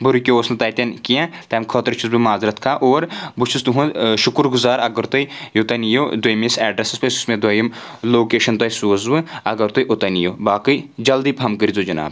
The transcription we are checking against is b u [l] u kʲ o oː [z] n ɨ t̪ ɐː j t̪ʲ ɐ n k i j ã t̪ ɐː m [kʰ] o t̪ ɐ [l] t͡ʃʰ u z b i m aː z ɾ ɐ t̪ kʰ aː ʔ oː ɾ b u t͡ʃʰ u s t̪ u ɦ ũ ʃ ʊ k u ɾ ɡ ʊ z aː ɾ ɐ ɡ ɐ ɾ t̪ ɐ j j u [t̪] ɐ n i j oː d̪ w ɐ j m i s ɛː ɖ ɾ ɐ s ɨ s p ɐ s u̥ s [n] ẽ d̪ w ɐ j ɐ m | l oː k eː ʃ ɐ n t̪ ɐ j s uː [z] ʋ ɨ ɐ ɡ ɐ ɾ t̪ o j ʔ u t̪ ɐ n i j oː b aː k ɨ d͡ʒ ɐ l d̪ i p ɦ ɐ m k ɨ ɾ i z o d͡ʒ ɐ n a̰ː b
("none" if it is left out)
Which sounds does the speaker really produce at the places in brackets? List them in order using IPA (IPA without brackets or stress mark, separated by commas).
ɾ, s, kʰ, ɾ, t̪, m, z